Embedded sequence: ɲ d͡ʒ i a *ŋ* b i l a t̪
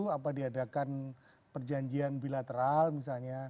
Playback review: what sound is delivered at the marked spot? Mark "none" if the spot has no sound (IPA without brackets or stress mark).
n